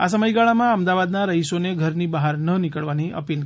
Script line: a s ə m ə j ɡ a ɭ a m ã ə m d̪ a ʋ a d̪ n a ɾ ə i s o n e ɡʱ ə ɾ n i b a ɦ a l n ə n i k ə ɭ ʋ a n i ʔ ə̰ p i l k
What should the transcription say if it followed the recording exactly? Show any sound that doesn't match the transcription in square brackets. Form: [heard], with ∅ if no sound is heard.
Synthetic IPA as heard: a s ə m ə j ɡ a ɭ a m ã ə m d̪ a ʋ a d̪ n a ɾ ə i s o n e ɡʱ ə ɾ n i b a ɦ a [ɾ] n ə n i k ə ɭ ʋ a n i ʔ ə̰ p i l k